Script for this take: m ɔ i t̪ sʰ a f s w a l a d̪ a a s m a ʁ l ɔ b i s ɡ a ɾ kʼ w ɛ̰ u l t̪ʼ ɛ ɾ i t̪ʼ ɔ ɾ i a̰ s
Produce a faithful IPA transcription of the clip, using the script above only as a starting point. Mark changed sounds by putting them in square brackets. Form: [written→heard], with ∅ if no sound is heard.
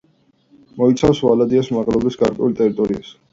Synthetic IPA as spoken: m ɔ i t̪ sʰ a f s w a l a d̪ [a→i] a s m a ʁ l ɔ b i s ɡ a ɾ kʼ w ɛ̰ u l t̪ʼ ɛ ɾ i t̪ʼ ɔ ɾ i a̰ s